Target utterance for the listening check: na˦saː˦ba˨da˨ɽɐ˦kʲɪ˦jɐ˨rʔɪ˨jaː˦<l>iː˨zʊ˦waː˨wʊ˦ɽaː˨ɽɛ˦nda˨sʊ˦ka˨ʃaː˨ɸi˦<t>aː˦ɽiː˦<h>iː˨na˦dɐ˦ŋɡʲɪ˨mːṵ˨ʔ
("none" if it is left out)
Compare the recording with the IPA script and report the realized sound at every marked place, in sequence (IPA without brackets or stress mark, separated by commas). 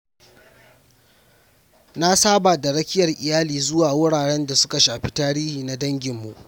l, t, h